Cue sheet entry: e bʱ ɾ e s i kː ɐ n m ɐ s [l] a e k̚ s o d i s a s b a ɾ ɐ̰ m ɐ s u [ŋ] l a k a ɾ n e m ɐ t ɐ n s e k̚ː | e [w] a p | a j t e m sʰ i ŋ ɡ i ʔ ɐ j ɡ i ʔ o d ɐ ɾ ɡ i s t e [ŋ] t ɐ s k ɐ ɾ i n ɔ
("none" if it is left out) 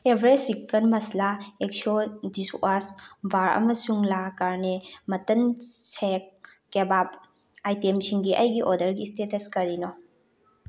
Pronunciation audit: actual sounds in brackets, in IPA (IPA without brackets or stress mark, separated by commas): l, ŋ, b, none